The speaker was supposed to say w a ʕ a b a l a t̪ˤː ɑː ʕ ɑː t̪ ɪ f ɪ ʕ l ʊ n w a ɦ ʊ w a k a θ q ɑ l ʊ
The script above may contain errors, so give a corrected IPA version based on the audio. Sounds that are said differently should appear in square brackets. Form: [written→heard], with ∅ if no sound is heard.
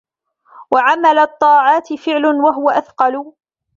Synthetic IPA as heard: w a ʕ a [b→m] a l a t̪ˤː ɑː ʕ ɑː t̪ ɪ f ɪ ʕ l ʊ n w a ɦ ʊ w a [k→ʔ] a θ q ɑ l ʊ